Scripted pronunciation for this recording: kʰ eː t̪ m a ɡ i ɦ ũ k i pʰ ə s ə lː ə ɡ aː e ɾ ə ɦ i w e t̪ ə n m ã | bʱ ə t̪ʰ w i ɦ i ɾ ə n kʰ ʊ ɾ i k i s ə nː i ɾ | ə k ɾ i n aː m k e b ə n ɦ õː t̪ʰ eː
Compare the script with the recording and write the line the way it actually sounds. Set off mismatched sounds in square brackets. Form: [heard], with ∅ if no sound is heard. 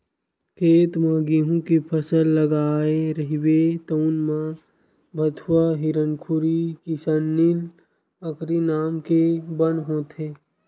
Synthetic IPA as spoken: kʰ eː t̪ m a ɡ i ɦ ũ k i pʰ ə s ə lː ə ɡ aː e ɾ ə ɦ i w e t̪ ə n m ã | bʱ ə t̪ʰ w [a] ɦ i ɾ ə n kʰ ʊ ɾ i k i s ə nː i [l] | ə k ɾ i n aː m k e b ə n ɦ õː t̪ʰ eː